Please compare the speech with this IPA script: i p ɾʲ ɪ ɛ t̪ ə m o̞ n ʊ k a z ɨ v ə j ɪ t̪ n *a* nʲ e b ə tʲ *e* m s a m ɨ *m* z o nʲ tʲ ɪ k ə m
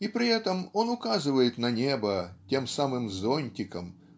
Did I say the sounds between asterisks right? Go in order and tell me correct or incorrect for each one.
incorrect: ɐ, correct, correct

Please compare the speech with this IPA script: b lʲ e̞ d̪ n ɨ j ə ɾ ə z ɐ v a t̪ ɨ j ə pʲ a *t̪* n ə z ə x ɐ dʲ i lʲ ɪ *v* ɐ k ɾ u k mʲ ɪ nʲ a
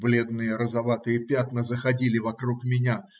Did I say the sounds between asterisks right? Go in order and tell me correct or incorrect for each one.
correct, correct

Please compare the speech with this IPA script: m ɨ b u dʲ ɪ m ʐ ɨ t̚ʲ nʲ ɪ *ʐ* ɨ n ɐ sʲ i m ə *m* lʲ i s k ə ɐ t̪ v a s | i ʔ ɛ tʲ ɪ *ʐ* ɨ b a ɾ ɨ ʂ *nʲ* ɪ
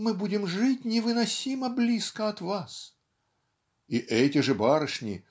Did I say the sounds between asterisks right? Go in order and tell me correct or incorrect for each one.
incorrect: v, incorrect: b, correct, correct

